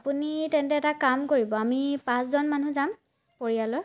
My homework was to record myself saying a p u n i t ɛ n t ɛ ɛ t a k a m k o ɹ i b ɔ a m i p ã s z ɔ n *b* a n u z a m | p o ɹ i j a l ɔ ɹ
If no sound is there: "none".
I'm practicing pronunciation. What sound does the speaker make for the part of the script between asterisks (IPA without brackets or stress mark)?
m